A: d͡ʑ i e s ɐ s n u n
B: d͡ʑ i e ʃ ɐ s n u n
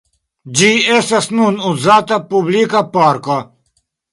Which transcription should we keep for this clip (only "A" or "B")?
A